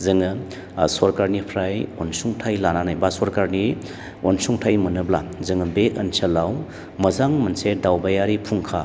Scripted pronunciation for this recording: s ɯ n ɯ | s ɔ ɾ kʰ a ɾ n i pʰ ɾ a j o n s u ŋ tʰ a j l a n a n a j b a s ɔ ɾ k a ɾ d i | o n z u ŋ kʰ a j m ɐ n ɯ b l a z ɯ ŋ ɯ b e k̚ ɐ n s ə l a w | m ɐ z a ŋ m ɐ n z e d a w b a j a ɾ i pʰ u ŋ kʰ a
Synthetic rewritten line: z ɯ ŋ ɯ | s ɔ ɾ k a ɾ n i pʰ ɾ a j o n s u ŋ tʰ a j l a n a n a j b a s ɔ ɾ k a ɾ n i | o n s u ŋ tʰ a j m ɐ n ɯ b l a z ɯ ŋ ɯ b e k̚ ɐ n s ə l a w | m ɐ z a ŋ m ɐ n s e d a w b a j a ɾ i pʰ u ŋ kʰ a